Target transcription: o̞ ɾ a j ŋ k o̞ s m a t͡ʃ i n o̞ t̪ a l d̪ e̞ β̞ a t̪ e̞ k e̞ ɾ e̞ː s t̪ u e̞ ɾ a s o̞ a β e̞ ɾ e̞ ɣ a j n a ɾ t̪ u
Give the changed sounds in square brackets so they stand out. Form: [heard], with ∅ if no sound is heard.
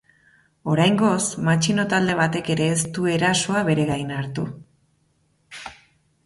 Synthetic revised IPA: o̞ ɾ a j ŋ [ɡ] o̞ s m a t͡ʃ i n o̞ t̪ a l d̪ e̞ β̞ a t̪ e̞ k e̞ ɾ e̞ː s t̪ u e̞ ɾ a s o̞ a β e̞ ɾ e̞ ɣ a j n a ɾ t̪ u